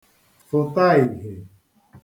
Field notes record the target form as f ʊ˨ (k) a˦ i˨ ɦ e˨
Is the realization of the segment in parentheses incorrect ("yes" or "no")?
yes